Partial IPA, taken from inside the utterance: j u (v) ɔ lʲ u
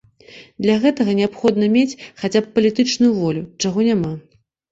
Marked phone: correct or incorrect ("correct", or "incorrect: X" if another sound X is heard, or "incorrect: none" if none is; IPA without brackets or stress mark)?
correct